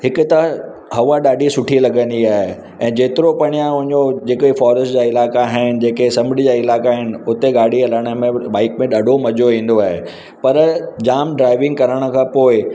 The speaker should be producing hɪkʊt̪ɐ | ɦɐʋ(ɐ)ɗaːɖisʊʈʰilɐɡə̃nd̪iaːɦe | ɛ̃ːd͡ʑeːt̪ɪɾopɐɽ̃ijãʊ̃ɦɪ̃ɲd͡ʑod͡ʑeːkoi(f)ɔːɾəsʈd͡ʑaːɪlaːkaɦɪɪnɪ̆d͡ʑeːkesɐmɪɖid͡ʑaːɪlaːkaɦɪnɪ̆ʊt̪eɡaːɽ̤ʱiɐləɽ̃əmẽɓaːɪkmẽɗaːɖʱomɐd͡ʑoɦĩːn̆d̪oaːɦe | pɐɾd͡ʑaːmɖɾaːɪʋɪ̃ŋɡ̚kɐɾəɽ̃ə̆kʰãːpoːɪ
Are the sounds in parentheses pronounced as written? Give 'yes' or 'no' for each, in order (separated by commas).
no, yes